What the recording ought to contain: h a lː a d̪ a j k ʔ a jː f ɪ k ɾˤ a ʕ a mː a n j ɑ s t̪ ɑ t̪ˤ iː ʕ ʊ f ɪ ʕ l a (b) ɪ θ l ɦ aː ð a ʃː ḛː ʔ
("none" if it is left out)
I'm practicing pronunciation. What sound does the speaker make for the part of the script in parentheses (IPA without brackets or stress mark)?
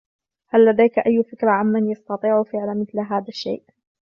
m